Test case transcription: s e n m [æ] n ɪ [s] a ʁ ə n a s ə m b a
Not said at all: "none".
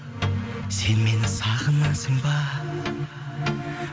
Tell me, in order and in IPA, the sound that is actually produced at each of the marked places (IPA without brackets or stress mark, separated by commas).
e, s